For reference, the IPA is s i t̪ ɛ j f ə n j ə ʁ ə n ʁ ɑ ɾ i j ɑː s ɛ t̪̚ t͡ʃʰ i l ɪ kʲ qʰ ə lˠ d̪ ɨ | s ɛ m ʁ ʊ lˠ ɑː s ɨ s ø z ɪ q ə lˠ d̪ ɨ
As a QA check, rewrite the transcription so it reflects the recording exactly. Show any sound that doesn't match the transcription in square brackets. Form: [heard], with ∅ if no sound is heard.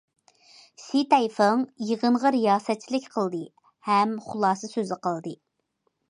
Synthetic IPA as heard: s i t̪ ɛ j f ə [ŋ] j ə ʁ ə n ʁ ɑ ɾ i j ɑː s ɛ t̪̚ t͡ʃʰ i l ɪ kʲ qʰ ə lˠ d̪ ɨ | [h] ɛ m [χ] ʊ lˠ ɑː s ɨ s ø z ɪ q ə lˠ d̪ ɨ